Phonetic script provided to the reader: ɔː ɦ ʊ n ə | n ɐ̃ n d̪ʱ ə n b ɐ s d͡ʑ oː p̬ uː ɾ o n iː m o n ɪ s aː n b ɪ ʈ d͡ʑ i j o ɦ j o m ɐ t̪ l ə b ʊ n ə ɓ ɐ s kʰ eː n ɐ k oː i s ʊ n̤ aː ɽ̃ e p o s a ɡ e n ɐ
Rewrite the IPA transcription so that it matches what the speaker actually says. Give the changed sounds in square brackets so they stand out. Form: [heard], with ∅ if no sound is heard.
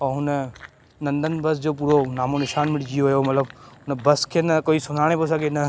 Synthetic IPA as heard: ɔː ɦ ʊ n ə | n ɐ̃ n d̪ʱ ə n b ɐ s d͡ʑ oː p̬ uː ɾ o n [aː] m o n ɪ [ʃ] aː n [m] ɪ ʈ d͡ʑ i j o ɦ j o m ɐ t̪ l ə b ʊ n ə [b] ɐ s kʰ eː n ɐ k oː i s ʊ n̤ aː ɽ̃ e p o s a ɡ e n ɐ